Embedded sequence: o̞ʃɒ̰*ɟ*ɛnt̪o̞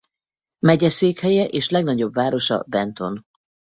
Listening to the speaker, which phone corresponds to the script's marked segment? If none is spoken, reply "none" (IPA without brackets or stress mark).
b